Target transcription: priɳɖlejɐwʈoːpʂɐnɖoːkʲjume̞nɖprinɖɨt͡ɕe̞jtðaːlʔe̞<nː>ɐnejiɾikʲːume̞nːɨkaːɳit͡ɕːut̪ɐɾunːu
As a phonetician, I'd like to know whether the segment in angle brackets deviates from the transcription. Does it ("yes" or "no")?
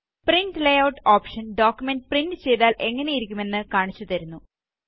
yes